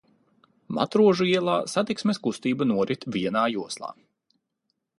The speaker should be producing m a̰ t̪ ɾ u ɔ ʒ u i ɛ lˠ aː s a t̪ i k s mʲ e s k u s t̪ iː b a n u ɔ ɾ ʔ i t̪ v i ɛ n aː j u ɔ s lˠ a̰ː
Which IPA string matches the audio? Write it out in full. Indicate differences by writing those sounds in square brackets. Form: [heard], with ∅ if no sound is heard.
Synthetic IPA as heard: m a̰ t̪ ɾ u ɔ ʒ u i ɛ lˠ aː s a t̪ i k s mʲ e s k u s t̪ iː b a n u ɔ ɾ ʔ i t̪ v i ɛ n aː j u ɔ s lˠ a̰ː